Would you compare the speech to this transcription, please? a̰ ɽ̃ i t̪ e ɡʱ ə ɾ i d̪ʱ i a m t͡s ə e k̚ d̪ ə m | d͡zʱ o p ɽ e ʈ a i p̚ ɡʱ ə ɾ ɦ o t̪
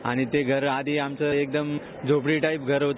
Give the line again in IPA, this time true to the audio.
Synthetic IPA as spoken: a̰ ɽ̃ i t̪ e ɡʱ ə ɾ a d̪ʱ i a m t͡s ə e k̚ d̪ ə m | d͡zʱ o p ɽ i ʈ a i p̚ ɡʱ ə ɾ ɦ o t̪